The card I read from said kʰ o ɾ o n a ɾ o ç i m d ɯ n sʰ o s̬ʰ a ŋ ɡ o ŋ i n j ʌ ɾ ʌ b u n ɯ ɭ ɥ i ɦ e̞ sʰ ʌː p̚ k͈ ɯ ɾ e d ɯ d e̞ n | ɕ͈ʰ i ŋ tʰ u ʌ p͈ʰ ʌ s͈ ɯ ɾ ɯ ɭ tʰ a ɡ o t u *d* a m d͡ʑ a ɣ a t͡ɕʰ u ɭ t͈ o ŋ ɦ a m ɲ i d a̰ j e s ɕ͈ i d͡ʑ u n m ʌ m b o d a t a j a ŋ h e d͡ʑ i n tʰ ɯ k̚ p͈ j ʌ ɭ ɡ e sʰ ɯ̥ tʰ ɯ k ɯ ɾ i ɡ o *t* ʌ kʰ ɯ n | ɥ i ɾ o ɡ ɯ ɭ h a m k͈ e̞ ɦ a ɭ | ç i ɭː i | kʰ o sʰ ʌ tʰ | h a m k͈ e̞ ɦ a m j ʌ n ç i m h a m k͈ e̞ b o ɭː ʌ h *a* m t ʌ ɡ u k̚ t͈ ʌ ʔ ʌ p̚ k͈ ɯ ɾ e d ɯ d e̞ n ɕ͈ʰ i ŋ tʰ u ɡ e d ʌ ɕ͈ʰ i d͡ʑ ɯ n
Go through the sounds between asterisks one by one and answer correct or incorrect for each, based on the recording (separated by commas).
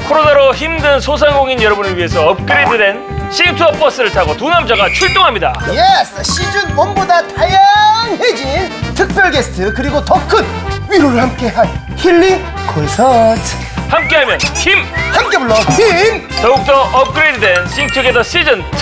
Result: incorrect, correct, incorrect